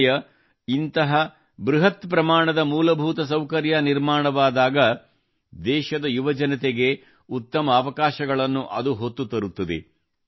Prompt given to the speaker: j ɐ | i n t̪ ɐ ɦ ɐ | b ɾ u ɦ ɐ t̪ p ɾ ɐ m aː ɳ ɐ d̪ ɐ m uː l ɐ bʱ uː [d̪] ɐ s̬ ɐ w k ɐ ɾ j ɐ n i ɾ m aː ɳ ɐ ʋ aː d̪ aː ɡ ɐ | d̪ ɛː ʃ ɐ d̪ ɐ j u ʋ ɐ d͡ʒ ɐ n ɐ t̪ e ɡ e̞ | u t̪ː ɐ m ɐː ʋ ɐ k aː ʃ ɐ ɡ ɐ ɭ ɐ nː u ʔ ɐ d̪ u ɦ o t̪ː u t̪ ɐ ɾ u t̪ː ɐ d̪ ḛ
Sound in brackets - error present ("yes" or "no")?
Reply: yes